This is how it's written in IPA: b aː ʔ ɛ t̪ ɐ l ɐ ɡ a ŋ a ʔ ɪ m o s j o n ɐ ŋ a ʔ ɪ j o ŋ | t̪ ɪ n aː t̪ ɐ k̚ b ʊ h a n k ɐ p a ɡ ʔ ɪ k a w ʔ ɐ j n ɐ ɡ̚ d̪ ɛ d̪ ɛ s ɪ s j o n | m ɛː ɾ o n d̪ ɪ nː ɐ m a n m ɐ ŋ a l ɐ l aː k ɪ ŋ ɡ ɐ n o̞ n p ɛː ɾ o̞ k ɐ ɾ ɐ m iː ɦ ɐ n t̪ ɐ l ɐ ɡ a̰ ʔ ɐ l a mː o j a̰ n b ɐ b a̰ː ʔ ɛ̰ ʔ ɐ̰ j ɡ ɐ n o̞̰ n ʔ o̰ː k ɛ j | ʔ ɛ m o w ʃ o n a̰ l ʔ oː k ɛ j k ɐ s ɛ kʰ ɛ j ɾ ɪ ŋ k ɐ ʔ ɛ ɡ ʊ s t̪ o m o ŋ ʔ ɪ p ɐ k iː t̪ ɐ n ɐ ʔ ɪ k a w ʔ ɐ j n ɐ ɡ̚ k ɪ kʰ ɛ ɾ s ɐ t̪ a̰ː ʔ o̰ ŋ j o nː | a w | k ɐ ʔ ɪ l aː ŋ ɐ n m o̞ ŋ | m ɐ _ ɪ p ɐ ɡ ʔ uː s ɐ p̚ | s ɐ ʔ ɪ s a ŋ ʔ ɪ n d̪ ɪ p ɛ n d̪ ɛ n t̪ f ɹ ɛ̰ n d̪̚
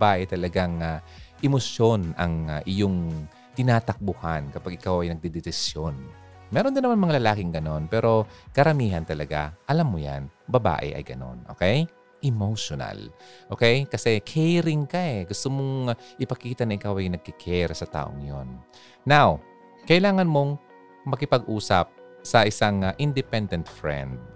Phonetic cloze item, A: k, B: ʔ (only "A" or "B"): A